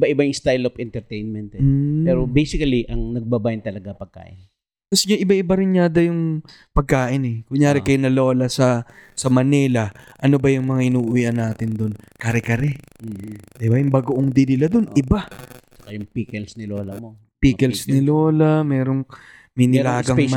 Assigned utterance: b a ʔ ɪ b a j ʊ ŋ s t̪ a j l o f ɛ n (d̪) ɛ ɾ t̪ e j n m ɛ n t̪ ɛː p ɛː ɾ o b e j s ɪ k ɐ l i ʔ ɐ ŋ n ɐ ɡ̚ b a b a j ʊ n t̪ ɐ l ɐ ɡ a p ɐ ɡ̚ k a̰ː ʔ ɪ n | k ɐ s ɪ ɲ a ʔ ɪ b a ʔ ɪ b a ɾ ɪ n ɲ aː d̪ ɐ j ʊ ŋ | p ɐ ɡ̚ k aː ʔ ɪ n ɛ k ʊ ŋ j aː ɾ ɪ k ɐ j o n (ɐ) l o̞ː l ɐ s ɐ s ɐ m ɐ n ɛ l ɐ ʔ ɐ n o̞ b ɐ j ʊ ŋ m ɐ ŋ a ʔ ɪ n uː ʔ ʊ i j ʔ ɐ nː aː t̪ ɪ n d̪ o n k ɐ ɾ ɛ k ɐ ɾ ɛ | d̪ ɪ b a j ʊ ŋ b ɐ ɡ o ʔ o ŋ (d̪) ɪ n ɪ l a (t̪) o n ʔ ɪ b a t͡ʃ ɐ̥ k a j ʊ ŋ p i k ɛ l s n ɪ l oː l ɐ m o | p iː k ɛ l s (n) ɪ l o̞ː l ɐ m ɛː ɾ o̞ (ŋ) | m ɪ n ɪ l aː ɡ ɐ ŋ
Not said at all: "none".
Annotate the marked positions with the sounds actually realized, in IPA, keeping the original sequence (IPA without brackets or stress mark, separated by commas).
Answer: t̪, ɐ, d̪, d̪, n, ŋ